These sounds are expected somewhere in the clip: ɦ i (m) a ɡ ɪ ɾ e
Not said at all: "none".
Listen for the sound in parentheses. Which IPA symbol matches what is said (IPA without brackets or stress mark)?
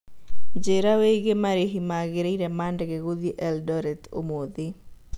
m